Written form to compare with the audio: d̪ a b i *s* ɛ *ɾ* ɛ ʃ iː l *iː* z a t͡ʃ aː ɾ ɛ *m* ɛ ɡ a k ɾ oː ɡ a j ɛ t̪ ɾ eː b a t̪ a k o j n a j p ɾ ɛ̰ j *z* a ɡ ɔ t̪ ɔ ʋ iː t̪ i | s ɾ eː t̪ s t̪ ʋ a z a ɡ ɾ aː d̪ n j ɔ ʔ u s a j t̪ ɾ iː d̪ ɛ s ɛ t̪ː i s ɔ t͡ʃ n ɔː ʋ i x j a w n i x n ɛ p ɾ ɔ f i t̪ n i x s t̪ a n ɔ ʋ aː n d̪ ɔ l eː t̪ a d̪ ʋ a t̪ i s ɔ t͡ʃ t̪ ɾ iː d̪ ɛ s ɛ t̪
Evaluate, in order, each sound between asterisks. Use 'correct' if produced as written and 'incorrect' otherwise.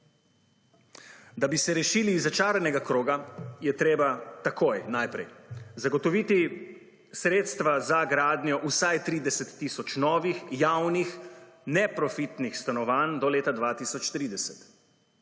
correct, correct, correct, incorrect, correct

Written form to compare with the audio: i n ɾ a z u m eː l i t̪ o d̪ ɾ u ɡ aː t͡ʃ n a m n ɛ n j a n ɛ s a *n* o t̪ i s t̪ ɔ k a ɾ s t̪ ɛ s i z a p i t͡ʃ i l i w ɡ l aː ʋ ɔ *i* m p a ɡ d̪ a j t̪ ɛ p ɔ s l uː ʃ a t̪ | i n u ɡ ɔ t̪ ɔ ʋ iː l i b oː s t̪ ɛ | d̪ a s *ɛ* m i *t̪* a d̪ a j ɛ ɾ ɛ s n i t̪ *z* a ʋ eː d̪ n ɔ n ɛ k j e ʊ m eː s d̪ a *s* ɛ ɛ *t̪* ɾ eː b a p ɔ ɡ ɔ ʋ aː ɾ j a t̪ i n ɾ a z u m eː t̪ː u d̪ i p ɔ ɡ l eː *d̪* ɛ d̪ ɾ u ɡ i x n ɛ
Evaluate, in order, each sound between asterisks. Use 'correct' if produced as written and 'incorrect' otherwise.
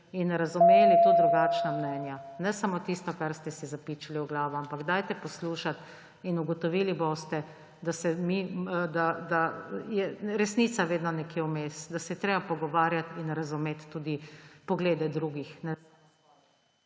incorrect, incorrect, correct, incorrect, incorrect, correct, correct, correct

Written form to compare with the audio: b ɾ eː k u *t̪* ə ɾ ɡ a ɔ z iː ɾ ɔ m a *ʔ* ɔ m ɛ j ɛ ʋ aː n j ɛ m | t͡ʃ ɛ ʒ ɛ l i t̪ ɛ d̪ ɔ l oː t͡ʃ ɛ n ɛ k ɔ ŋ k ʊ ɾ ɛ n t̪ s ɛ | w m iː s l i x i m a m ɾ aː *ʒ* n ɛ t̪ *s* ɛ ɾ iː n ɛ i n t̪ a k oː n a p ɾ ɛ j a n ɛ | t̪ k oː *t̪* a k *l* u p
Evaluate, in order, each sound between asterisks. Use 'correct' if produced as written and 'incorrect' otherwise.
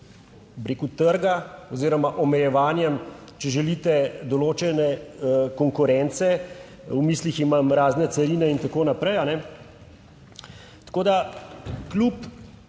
correct, correct, incorrect, correct, incorrect, correct

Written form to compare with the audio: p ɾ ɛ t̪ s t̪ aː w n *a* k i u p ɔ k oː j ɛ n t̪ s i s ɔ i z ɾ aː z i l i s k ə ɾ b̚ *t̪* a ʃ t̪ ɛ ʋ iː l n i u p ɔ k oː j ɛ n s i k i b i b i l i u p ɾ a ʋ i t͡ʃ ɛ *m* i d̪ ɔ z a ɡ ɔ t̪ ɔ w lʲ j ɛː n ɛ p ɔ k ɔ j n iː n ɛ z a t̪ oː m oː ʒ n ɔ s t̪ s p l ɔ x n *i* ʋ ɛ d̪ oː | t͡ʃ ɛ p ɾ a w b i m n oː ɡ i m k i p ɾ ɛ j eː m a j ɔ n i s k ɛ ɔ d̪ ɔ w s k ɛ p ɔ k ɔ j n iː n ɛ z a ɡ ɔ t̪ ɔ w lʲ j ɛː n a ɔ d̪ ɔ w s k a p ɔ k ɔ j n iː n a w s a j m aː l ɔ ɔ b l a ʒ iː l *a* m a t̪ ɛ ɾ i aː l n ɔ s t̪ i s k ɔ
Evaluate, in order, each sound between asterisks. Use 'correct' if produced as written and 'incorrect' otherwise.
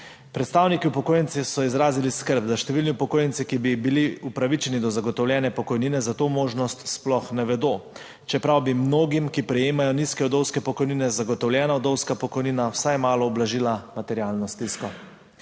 incorrect, incorrect, incorrect, incorrect, correct

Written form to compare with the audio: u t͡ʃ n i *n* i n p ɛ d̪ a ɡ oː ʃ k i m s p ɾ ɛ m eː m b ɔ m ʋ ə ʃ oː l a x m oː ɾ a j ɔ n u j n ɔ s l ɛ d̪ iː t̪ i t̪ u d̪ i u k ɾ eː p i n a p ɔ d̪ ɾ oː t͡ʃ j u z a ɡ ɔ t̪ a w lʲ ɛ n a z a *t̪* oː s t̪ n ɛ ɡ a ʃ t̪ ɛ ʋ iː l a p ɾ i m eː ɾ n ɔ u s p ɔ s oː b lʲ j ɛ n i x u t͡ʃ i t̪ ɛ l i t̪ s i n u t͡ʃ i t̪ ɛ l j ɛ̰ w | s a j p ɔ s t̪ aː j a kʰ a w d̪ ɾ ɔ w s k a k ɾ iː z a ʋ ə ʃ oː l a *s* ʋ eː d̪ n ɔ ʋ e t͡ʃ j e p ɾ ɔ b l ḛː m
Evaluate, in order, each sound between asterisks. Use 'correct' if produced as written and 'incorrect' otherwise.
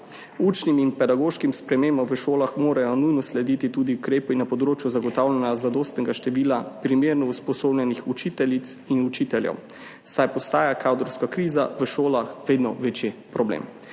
incorrect, incorrect, incorrect

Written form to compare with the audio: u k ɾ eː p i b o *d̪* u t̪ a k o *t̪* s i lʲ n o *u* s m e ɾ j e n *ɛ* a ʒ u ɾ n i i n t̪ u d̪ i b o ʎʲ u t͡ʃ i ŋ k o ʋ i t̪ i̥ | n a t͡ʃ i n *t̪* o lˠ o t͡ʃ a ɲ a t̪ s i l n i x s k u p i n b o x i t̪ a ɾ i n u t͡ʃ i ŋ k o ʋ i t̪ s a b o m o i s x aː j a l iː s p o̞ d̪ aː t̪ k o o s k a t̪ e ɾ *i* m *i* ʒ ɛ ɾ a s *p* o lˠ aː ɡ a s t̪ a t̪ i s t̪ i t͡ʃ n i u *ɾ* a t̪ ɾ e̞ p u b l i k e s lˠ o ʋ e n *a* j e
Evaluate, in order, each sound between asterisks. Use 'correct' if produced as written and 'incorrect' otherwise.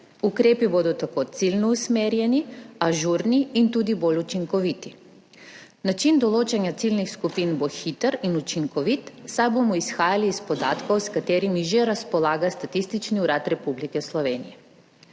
correct, correct, correct, incorrect, incorrect, correct, correct, correct, correct, incorrect

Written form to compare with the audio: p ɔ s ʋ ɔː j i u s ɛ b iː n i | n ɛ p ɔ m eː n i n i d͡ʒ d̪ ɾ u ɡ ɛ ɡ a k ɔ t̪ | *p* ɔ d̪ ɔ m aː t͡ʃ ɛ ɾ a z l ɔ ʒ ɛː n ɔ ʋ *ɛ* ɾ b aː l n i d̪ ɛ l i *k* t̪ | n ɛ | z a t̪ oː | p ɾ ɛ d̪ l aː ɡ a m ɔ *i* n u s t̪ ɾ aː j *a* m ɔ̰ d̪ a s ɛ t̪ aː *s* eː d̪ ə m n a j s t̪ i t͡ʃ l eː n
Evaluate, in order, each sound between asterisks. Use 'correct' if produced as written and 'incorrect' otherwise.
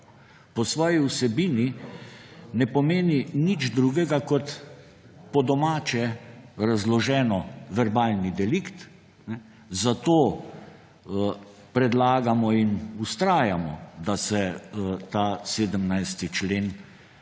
correct, correct, correct, correct, correct, correct

